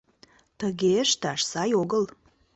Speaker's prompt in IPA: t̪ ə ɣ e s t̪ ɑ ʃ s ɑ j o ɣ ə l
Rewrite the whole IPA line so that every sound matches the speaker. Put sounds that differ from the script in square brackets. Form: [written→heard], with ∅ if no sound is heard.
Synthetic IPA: t̪ ə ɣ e [s→ʃ] t̪ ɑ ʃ s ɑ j o ɣ ə l